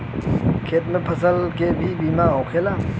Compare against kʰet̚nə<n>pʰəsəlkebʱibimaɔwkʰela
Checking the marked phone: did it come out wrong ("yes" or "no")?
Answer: yes